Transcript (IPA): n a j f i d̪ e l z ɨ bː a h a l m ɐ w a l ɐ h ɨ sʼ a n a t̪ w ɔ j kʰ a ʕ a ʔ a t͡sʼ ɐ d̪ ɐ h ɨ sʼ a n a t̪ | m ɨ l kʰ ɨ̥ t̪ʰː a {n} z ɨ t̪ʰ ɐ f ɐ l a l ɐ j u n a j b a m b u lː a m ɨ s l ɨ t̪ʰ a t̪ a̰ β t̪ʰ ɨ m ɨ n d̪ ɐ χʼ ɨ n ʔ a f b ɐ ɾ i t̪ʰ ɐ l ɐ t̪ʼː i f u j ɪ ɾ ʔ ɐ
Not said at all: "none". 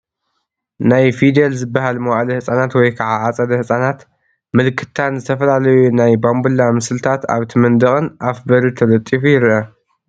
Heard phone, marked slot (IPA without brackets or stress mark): n